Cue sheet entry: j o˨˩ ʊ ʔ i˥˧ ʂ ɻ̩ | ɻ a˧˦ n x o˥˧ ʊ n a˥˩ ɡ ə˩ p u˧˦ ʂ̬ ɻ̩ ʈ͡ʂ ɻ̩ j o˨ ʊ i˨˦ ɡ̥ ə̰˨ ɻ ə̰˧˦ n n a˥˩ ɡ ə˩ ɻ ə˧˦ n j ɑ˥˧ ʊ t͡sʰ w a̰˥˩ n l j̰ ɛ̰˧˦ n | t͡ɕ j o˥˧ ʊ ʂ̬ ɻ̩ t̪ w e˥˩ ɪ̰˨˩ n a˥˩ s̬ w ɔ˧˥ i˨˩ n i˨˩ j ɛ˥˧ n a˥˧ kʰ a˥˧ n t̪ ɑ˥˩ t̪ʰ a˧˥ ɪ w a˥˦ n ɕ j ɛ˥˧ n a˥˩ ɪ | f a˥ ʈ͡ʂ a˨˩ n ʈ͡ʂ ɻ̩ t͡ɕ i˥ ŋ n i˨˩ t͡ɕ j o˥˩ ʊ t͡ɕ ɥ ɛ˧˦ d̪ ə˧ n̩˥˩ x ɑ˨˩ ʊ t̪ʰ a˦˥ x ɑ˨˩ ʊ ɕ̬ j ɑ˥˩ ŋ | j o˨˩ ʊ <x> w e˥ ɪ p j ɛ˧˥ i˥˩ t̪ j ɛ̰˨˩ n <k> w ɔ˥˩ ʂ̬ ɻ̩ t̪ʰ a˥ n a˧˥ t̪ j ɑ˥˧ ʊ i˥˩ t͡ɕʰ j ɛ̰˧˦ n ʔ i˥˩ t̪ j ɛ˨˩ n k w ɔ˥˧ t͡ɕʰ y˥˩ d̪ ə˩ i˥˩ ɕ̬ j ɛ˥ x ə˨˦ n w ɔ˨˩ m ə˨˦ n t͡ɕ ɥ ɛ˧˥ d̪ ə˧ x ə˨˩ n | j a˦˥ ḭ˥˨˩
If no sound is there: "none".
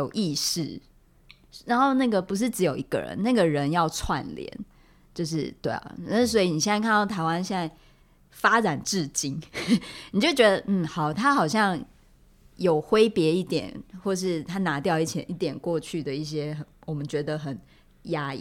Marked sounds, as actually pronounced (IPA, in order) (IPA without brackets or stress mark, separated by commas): x, x